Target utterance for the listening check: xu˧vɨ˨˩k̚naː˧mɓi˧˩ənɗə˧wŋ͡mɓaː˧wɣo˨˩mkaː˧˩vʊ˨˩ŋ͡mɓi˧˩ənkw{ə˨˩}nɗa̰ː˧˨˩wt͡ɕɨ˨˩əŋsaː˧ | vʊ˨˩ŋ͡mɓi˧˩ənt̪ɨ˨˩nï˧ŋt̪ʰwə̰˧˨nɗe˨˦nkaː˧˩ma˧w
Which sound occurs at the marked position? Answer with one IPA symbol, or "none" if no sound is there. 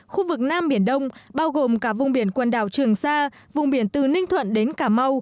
ə˨˩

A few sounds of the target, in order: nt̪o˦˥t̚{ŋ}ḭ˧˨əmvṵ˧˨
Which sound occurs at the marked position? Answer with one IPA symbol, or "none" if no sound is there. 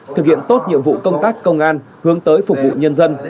ɲ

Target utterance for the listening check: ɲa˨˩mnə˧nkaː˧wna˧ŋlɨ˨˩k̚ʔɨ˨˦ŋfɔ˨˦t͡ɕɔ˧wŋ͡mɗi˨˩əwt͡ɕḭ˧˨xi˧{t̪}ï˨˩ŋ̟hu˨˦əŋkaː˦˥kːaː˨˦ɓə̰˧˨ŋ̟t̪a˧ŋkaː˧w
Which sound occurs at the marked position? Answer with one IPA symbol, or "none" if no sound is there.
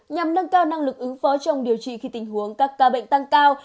t̪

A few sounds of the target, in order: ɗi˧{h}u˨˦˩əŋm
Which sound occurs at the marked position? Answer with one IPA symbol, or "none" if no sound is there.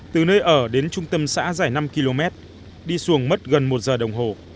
s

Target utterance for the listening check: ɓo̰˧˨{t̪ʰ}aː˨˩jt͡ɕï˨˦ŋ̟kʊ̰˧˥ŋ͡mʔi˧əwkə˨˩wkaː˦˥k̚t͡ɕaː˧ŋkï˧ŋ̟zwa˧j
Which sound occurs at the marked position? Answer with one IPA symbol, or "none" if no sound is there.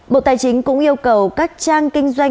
t̪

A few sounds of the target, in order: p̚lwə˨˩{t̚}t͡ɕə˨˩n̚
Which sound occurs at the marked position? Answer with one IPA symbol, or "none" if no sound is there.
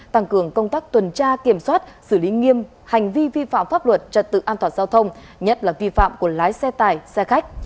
t̚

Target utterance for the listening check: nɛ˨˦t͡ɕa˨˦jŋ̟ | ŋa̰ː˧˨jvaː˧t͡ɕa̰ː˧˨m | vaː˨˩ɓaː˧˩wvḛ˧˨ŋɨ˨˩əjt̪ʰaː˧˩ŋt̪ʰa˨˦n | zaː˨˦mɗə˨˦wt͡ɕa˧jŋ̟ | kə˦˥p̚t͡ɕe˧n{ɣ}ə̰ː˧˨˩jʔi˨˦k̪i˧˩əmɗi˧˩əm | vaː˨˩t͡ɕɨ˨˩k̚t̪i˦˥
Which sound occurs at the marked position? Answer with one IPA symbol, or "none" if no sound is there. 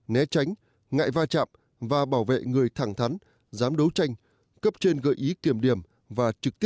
ɣ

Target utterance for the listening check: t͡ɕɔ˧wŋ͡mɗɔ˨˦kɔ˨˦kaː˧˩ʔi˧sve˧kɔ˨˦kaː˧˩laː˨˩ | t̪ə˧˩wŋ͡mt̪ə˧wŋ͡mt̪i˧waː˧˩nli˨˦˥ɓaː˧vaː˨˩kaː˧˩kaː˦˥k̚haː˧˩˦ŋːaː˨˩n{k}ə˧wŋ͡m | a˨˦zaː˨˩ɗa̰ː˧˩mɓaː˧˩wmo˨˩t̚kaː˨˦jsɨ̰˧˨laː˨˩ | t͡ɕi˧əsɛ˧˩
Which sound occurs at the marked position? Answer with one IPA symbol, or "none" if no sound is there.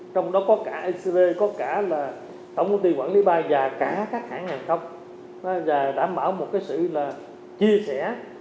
x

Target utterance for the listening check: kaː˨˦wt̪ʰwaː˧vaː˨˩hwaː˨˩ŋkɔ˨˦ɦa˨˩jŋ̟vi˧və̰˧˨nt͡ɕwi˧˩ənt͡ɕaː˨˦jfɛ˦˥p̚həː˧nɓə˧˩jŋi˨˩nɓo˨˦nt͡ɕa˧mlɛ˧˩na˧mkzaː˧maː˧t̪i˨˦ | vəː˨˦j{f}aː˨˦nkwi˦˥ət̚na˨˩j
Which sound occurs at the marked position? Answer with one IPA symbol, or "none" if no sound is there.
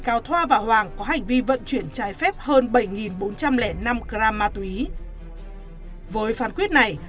f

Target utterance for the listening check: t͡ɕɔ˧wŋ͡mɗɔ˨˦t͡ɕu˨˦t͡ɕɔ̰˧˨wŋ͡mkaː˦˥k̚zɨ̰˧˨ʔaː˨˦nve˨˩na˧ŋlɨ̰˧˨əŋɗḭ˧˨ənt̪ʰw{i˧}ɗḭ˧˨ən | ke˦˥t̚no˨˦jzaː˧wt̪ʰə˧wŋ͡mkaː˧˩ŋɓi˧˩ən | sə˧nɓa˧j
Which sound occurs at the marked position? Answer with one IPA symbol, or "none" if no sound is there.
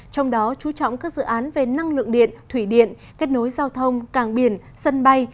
i˧˩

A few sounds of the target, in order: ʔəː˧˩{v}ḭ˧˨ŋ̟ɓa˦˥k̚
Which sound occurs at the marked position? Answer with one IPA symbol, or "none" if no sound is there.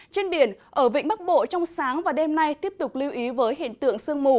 v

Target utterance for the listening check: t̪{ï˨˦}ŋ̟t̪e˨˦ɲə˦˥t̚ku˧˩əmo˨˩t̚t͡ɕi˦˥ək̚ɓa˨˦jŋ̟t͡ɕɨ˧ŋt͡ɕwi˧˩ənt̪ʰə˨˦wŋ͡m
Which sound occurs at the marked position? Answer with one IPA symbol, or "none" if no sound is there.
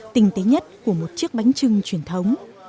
ï˨˩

